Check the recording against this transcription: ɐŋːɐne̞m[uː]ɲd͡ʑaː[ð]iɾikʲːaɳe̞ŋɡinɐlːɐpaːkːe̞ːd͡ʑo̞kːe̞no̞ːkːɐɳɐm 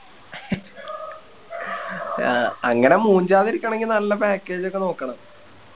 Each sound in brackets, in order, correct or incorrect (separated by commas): correct, correct